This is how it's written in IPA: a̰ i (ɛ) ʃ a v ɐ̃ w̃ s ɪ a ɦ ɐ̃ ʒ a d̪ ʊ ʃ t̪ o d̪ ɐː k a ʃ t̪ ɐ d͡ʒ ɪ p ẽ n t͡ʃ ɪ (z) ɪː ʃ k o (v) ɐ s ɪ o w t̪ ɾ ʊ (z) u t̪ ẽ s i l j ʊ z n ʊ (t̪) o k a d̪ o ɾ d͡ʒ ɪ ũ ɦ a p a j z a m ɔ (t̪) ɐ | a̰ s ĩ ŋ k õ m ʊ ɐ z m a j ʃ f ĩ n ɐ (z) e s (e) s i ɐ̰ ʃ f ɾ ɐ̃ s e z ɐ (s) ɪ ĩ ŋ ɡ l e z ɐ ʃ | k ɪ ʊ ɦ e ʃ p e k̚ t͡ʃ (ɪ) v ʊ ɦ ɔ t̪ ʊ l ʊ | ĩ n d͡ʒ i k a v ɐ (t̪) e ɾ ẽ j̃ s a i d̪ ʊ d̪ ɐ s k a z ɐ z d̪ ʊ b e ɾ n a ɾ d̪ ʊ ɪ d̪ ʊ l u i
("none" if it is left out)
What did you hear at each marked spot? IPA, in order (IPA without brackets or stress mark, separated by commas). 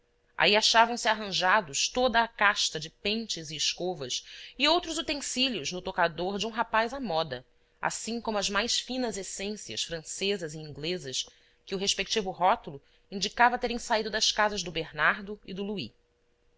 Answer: a, z, v, z, t̪, d̪, z, ẽ, z, i, t̪